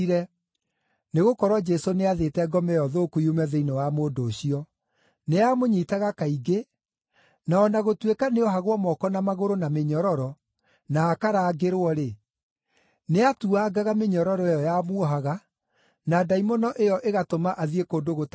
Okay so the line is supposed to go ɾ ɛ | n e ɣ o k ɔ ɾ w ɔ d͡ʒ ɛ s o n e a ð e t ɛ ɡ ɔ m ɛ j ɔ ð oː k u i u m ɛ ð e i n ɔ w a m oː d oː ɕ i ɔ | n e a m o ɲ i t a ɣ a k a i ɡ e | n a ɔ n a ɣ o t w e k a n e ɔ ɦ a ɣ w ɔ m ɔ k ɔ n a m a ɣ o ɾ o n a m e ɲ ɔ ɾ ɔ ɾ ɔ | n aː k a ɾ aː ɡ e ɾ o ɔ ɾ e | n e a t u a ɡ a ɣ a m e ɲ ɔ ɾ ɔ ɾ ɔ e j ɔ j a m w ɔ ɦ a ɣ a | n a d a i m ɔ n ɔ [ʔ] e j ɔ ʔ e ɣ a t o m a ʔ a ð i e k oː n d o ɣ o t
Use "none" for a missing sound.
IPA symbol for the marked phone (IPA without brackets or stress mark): ʔ